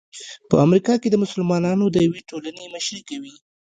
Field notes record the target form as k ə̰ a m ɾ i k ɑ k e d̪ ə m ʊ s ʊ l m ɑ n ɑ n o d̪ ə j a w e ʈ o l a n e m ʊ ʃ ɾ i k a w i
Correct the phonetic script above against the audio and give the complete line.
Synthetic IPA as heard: p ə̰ a m ɾ i k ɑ k e d̪ ə m ʊ s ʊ l m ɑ n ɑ n o d̪ ə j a w e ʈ o l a n e m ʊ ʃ ɾ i k a w i